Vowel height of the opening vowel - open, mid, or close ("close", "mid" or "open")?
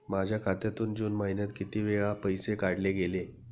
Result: open